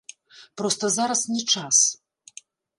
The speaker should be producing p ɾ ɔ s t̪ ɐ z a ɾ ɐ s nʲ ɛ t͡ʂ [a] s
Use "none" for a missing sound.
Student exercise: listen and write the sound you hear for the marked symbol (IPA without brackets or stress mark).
a